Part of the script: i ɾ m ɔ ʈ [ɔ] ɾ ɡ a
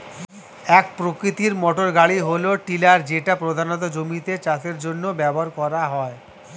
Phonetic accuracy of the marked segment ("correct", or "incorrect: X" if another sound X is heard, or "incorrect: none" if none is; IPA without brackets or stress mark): incorrect: o